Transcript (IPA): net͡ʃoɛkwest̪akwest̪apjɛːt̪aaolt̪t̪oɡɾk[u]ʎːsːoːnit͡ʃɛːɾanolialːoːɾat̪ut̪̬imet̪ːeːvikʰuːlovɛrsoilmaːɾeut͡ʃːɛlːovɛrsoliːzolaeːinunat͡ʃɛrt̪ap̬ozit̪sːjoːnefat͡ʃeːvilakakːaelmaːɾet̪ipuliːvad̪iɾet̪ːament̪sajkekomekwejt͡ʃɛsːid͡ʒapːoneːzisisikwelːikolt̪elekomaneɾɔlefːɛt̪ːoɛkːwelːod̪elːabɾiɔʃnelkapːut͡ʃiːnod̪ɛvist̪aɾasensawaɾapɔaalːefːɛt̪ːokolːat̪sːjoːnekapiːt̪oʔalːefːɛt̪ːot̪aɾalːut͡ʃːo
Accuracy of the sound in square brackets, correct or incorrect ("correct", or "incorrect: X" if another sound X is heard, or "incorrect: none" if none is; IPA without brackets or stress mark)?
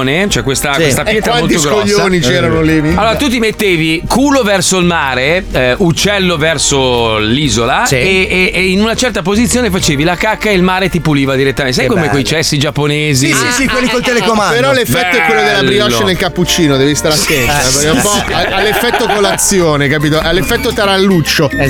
incorrect: o